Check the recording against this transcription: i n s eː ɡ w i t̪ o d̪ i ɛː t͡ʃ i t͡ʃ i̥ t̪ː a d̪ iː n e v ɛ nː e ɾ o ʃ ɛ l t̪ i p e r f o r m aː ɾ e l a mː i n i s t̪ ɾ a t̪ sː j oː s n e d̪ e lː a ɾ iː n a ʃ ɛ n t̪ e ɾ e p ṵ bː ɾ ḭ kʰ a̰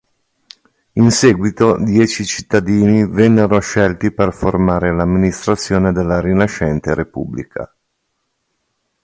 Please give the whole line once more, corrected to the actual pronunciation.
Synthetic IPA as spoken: i n s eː ɡ w i t̪ o d̪ j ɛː t͡ʃ i t͡ʃ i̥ t̪ː a d̪ iː n i v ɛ nː e ɾ o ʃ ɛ l t̪ i p e r f o r m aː ɾ e l a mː i n i s t̪ ɾ a t̪ sː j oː n e d̪ e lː a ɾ i n a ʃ ɛ n t̪ e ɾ e p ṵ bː l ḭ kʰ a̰